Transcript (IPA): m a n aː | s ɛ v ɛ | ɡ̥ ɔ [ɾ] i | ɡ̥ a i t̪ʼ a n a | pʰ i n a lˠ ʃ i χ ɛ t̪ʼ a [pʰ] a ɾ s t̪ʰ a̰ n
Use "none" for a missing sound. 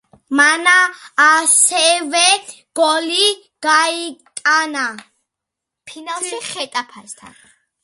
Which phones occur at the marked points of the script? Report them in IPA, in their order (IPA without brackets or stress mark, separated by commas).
l, pʰ